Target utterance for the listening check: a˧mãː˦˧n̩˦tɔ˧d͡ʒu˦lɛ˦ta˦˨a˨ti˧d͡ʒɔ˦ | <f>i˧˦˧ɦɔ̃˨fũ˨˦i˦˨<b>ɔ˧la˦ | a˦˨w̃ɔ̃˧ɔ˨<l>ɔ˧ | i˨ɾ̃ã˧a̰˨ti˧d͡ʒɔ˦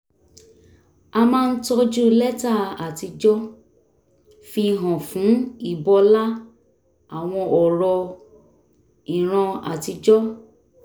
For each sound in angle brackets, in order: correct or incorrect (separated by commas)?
correct, correct, incorrect